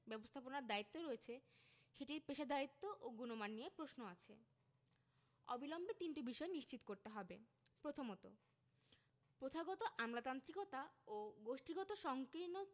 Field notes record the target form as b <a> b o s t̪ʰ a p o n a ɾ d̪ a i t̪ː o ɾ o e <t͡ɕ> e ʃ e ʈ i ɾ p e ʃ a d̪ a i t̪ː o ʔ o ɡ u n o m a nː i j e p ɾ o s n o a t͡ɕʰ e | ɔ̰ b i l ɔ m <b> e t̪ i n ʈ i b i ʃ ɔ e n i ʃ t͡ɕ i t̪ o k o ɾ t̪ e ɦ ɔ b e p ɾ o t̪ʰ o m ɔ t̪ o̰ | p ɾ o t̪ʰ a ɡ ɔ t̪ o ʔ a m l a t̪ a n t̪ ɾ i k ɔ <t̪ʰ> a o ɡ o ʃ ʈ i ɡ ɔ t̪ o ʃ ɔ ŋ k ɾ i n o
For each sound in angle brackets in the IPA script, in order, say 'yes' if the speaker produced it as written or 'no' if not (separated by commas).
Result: no, no, yes, no